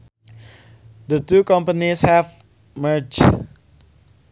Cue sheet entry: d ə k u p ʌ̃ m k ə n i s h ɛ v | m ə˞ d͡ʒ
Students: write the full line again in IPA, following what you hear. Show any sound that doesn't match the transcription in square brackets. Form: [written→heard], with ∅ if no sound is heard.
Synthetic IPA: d ə [k→t] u [p→k] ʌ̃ m [k→p] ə n i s h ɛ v | m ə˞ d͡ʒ